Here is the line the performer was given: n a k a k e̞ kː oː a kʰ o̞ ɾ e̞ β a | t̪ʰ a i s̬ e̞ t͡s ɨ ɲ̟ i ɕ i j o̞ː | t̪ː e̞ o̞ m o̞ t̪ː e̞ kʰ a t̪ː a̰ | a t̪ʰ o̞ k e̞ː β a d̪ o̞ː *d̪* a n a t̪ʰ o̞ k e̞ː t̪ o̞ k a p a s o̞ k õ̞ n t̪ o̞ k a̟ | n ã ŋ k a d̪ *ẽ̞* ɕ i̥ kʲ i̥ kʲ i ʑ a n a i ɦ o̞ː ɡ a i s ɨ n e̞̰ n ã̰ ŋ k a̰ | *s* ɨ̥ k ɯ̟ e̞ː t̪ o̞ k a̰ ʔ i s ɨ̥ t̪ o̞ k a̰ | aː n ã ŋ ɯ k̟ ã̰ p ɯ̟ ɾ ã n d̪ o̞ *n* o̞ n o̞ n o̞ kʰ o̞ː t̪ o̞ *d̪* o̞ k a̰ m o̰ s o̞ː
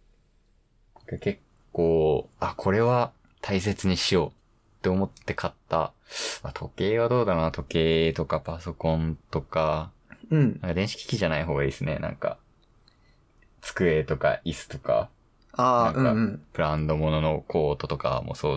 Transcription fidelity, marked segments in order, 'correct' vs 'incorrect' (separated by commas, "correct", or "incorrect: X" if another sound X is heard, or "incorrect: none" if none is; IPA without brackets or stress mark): correct, correct, incorrect: t͡s, incorrect: m, incorrect: t̪